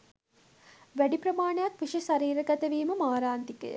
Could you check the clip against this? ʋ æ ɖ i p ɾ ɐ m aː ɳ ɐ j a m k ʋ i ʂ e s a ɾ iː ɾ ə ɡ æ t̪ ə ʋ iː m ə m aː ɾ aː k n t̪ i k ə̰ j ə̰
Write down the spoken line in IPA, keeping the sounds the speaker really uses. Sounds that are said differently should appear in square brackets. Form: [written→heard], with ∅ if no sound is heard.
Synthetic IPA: ʋ æ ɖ i p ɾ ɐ m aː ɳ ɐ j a [m→∅] k ʋ i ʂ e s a ɾ iː ɾ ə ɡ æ t̪ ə ʋ iː m ə m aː ɾ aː [k→∅] n t̪ i k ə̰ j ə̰